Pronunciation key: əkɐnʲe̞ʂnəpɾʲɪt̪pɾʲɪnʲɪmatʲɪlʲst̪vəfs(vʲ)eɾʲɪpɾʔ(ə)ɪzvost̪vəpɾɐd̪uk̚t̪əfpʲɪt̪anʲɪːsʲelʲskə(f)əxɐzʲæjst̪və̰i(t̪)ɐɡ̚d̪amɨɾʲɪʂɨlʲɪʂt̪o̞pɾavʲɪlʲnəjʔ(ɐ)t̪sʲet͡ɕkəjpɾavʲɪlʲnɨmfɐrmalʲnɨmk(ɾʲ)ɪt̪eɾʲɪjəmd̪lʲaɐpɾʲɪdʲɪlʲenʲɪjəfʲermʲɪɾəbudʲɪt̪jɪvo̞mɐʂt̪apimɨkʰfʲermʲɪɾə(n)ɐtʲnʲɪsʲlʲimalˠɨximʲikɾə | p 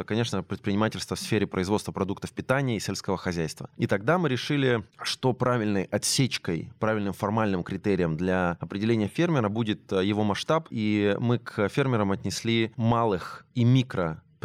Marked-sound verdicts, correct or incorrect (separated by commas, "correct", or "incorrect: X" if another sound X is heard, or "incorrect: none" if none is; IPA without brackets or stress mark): incorrect: fʲ, correct, incorrect: v, correct, correct, correct, incorrect: m